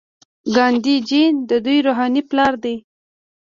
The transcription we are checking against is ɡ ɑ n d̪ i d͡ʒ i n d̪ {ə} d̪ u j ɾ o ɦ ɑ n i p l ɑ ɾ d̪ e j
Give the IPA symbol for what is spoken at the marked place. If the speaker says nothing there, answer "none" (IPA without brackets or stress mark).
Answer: ə